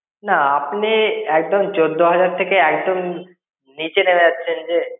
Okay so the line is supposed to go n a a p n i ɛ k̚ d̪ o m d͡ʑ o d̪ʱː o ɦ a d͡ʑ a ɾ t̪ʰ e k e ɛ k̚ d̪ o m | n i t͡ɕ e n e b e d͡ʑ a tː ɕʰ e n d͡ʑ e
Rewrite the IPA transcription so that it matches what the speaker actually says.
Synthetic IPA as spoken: n a a p n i ɛ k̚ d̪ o m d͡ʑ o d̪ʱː o ɦ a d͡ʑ a ɾ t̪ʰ e k e ɛ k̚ d̪ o m | n i t͡ɕ e n e m e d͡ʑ a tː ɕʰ e n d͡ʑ e